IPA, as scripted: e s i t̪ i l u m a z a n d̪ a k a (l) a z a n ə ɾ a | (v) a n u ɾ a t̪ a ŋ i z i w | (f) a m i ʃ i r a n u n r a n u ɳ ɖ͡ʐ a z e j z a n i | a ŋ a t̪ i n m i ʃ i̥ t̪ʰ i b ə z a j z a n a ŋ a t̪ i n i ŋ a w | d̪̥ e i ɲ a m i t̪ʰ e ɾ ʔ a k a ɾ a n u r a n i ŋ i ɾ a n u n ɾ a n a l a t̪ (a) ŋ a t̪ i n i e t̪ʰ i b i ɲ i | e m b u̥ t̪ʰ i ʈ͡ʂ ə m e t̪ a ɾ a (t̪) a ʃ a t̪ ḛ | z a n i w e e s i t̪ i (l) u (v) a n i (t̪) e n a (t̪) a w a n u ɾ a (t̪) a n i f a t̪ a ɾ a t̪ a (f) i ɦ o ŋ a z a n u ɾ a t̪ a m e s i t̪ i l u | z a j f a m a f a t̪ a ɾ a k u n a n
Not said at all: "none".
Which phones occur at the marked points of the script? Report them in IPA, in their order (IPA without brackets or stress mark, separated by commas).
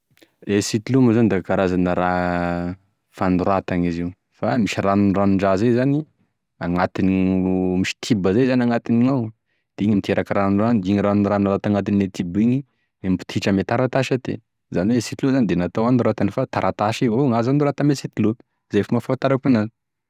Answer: ɾ, f, f, a, t̪, l, z, d̪, t̪, t̪, ʃ